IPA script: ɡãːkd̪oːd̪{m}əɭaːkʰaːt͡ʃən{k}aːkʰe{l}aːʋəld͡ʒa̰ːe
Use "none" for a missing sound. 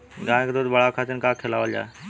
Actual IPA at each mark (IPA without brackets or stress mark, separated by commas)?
b, k, l